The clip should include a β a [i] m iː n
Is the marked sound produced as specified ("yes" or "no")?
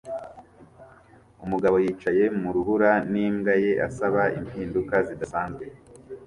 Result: yes